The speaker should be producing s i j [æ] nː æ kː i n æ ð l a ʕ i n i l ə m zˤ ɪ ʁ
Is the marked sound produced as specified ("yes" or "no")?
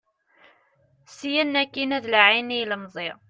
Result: yes